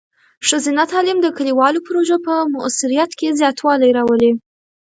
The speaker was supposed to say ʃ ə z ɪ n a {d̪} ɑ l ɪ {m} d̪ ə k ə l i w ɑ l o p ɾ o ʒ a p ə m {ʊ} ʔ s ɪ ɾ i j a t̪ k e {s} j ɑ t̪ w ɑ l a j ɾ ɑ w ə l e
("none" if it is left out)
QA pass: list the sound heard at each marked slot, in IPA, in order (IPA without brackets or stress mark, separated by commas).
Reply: t̪, m, ʊ, z